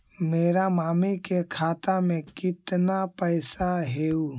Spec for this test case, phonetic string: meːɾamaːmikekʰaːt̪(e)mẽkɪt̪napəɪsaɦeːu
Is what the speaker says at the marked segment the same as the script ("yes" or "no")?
no